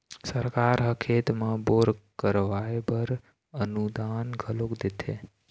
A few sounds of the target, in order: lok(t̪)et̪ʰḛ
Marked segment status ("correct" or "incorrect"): incorrect